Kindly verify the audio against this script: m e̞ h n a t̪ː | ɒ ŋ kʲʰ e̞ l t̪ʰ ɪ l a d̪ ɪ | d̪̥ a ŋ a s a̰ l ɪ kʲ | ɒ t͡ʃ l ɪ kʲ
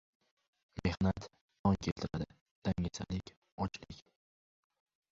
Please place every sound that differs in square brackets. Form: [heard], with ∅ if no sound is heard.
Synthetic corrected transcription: m e̞ h n a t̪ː | ɒ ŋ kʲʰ e̞ l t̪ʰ ɪ [ɾ] a d̪ ɪ | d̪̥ a ŋ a s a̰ l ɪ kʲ | ɒ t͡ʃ l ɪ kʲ